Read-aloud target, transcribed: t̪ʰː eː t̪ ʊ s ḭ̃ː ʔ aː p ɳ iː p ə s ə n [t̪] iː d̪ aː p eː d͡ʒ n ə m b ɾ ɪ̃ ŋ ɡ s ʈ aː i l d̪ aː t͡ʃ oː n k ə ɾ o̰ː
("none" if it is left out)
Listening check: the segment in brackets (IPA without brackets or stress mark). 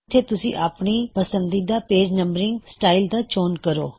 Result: d̪